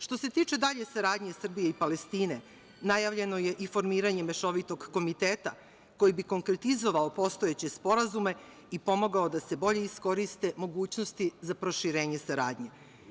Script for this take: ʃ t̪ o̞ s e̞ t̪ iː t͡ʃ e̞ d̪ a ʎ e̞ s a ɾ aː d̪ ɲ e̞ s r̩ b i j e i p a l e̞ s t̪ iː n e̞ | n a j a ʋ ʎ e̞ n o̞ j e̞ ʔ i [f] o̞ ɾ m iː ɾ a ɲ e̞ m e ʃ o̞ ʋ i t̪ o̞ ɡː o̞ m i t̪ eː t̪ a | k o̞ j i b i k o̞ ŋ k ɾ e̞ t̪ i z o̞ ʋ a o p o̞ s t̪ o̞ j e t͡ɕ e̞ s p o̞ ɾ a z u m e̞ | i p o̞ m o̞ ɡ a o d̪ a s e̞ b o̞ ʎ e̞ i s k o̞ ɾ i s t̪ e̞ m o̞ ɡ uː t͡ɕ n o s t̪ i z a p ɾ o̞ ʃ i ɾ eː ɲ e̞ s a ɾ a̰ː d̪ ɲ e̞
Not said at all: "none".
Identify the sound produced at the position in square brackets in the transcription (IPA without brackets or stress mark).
f